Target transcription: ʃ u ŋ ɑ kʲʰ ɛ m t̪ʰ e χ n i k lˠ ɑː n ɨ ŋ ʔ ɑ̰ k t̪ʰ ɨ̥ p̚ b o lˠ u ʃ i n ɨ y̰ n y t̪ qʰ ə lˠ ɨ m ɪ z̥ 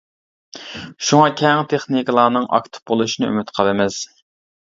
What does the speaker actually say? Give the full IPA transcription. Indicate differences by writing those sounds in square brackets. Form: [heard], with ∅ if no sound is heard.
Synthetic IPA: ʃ u ŋ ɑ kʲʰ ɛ [ŋ] t̪ʰ e χ n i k lˠ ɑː n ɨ ŋ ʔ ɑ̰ k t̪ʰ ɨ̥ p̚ b o lˠ u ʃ i n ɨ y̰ [m] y t̪ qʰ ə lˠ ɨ m ɪ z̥